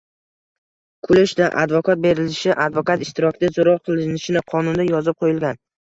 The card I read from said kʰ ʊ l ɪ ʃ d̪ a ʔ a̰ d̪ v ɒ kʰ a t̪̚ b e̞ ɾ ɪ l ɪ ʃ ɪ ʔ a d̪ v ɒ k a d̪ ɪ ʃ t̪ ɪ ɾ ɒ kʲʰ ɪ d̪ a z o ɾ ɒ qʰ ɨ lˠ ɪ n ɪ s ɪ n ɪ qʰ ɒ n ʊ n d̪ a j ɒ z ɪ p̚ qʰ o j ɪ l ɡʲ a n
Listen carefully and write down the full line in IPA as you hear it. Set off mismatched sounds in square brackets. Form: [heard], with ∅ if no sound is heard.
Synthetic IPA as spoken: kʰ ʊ l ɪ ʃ d̪ a ʔ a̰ d̪ v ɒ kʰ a t̪̚ b e̞ ɾ ɪ l ɪ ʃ ɪ ʔ a d̪ v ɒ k a [t̪] ɪ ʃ t̪ ɪ ɾ ɒ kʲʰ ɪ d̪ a z o ɾ ɒ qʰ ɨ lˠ ɪ n ɪ [ʃ] ɪ n ɪ qʰ ɒ n ʊ n d̪ a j ɒ z ɪ p̚ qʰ o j ɪ l ɡʲ a n

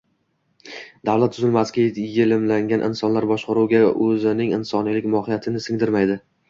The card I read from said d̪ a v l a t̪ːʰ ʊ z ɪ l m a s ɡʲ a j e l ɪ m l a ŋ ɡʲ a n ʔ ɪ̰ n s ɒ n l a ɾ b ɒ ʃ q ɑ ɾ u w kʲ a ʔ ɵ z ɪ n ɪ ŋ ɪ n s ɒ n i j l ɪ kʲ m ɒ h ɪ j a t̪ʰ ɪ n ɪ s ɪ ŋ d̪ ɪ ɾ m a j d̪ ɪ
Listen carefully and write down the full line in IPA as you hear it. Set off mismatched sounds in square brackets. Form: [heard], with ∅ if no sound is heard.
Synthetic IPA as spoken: d̪ a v l a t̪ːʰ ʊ z ɪ l m a s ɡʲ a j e l ɪ m l a ŋ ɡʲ a n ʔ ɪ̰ n s ɒ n l a ɾ b ɒ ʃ q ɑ ɾ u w [ɡʲ] a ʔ ɵ z ɪ n ɪ ŋ ɪ n s ɒ n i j l ɪ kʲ m ɒ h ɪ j a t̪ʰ ɪ n ɪ s ɪ ŋ d̪ ɪ ɾ m a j d̪ ɪ

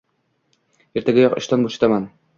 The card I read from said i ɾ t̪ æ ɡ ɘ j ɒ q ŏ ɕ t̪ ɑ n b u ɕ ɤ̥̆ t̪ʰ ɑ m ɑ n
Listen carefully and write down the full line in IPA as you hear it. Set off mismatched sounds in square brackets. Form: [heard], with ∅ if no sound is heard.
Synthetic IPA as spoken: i ɾ t̪ æ ɡ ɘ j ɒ q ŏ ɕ t̪ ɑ n b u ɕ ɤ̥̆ [t̪] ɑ m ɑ n

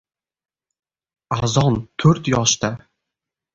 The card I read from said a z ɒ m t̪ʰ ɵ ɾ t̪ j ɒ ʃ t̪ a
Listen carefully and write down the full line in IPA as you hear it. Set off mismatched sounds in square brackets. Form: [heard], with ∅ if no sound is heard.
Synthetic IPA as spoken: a z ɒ [n] t̪ʰ ɵ ɾ t̪ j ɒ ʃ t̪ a

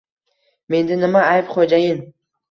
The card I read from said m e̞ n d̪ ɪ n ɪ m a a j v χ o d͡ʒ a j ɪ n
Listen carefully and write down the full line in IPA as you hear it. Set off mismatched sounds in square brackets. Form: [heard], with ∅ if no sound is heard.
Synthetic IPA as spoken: m e̞ n d̪ ɪ n ɪ m a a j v χ o d͡ʒ a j ɪ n

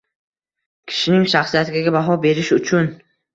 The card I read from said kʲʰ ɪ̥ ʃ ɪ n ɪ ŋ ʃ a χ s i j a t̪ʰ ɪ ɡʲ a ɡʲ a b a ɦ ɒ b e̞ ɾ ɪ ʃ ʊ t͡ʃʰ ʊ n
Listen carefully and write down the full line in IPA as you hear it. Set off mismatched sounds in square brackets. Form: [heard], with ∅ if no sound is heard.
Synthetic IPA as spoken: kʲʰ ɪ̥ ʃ ɪ n ɪ ŋ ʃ a χ s i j a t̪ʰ ɪ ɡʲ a ɡʲ a b a ɦ ɒ b e̞ ɾ ɪ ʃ ʊ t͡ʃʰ ʊ n

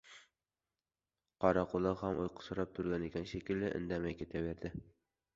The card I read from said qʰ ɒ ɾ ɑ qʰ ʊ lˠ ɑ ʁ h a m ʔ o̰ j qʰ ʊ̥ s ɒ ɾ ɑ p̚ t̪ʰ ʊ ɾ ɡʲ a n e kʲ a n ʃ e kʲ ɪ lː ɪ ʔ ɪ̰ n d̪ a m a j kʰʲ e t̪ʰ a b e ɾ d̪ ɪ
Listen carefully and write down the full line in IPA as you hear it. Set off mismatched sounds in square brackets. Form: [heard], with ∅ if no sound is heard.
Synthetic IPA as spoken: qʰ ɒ ɾ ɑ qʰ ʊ lˠ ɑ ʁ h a m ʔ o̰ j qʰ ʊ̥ s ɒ ɾ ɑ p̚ t̪ʰ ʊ ɾ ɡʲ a n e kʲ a n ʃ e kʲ ɪ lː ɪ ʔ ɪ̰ n d̪ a m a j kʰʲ e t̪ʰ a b e ɾ d̪ ɪ

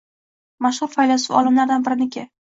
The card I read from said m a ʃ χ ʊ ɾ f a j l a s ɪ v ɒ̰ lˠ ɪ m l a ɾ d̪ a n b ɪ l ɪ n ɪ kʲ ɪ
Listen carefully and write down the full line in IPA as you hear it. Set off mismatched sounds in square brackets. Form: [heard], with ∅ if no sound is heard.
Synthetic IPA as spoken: m a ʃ [h] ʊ ɾ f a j l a s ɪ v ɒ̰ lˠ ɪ m l a ɾ d̪ a n b ɪ [ɾ] ɪ n ɪ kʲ ɪ

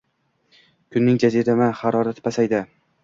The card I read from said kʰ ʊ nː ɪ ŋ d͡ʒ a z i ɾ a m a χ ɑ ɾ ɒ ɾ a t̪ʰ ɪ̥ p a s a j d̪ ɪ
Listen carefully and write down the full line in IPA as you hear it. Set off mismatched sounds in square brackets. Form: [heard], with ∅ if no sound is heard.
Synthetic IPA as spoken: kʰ ʊ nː ɪ ŋ d͡ʒ a z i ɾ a m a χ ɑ ɾ ɒ ɾ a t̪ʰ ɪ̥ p a s a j d̪ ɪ

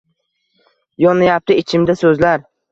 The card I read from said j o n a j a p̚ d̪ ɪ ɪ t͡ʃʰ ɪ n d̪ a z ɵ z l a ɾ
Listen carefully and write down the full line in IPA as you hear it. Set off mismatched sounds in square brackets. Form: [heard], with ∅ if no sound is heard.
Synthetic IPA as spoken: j [ɒ] n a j a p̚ [t̪] ɪ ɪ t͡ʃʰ ɪ [m] d̪ a [s] ɵ z l a ɾ

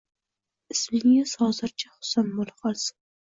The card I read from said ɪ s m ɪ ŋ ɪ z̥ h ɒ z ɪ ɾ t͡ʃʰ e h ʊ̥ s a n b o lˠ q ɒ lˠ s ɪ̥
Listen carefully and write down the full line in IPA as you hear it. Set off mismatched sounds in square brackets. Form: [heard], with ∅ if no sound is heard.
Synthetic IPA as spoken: ɪ s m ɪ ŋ ɪ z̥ h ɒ z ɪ ɾ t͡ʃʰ [a] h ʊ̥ s a n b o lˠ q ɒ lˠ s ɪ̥

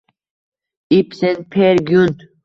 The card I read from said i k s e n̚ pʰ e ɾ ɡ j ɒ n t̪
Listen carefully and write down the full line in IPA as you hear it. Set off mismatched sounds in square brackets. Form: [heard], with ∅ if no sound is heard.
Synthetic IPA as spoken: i [p] s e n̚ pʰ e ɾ ɡ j [u] n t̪

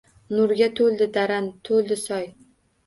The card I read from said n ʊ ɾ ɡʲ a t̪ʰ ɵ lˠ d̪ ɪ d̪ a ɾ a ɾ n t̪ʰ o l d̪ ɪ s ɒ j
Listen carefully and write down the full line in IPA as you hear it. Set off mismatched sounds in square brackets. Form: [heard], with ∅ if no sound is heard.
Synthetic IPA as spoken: n ʊ ɾ ɡʲ a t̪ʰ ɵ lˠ d̪ ɪ d̪ a ɾ a [∅] n t̪ʰ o l d̪ ɪ s ɒ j

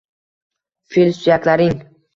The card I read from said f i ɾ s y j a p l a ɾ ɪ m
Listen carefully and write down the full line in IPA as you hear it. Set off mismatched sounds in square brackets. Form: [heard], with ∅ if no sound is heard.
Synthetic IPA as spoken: f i [l] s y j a [k] l a ɾ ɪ [ŋ]

